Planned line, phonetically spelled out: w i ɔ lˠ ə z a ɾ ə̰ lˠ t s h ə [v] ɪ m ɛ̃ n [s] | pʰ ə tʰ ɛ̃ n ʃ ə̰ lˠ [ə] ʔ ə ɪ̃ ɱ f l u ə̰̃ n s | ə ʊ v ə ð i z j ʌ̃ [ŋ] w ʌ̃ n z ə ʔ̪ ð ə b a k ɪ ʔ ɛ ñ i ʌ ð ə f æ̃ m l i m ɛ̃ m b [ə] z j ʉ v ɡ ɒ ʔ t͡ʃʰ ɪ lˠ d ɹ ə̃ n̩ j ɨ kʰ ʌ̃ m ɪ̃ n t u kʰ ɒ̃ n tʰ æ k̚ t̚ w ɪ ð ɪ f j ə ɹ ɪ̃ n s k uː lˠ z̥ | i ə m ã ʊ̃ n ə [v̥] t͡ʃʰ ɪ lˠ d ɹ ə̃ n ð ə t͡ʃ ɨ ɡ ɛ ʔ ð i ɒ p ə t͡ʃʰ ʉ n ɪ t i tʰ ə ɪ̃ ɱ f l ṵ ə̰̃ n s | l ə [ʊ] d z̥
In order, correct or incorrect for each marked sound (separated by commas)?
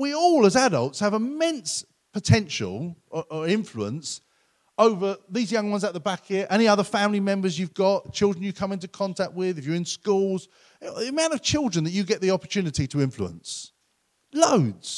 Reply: correct, correct, correct, correct, correct, correct, correct